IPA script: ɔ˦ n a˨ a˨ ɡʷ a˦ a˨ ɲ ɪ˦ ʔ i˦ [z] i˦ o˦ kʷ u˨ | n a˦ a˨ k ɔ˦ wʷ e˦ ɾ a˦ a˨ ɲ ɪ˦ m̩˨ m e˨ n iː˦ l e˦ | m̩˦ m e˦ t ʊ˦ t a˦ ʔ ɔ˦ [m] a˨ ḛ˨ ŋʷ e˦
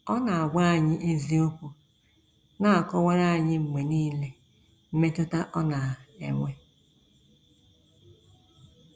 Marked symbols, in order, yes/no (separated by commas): yes, no